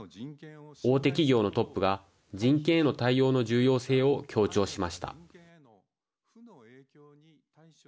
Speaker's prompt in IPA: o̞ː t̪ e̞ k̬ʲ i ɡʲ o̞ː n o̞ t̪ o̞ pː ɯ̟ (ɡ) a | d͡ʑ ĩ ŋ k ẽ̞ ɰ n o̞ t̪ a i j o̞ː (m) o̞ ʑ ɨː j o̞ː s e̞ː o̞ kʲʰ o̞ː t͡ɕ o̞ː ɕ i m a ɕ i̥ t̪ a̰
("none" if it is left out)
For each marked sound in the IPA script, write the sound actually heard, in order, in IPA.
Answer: ɡ, n

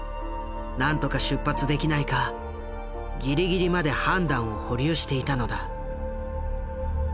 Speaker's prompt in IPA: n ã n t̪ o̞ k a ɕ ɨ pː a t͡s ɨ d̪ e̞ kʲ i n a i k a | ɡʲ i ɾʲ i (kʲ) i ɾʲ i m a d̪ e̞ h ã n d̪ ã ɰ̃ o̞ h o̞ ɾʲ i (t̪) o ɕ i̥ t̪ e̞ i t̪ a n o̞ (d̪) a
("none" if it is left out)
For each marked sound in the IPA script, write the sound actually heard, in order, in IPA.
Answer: ɡʲ, none, d̪

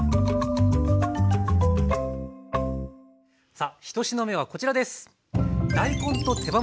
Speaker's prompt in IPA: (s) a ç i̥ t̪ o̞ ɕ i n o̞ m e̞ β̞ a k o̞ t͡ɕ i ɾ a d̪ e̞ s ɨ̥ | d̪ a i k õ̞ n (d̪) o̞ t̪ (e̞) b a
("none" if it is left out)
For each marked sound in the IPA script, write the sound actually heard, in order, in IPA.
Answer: s, t̪, e̞

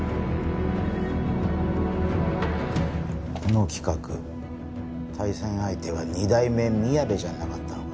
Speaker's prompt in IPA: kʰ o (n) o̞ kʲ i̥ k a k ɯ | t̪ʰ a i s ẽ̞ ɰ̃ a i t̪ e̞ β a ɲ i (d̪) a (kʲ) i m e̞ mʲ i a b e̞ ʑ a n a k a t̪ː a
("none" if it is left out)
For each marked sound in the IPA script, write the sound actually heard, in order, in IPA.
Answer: n, d̪, none

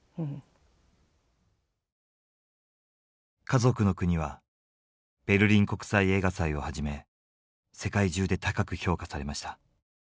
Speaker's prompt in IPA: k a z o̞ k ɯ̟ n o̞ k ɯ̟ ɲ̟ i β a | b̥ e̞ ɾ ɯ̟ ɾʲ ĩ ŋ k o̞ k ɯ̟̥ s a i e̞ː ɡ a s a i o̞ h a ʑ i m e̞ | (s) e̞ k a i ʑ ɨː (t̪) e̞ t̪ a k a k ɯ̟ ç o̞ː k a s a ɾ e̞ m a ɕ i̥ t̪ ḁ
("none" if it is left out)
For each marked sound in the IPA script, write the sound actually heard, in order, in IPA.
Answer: s, d̪

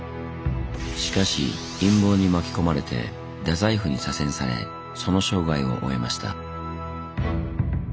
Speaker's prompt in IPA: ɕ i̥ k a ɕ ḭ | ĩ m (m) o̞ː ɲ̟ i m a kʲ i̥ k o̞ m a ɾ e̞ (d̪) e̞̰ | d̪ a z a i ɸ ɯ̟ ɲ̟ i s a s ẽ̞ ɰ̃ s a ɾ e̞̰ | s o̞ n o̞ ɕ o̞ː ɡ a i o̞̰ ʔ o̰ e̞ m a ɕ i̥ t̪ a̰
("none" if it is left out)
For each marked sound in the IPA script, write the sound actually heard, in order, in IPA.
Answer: b, t̪

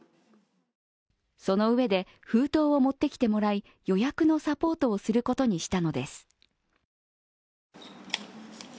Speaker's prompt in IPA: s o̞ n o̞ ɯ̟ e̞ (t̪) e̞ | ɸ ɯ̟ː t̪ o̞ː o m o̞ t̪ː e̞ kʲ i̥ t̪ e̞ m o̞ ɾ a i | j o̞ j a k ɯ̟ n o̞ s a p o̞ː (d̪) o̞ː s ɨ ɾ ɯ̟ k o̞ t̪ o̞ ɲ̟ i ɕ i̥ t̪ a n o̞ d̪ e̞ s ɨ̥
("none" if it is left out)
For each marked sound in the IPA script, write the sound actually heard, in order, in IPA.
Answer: d̪, t̪

